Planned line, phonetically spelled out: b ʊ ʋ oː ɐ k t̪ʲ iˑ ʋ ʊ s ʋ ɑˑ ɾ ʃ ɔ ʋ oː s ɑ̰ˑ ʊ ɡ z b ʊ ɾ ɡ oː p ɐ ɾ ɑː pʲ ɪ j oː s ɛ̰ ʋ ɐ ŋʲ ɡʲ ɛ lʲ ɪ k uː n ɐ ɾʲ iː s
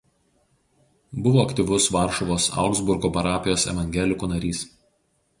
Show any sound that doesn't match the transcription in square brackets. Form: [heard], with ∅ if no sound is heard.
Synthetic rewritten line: b ʊ ʋ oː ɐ k t̪ʲ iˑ ʋ ʊ s ʋ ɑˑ ɾ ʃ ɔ ʋ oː s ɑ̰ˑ ʊ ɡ z b ʊ ɾ ɡ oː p ɐ ɾ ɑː pʲ ɪ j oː s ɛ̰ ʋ ɐ ŋʲ ɡʲ ɛ lʲ ɪ k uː n ɐ ɾʲ iː s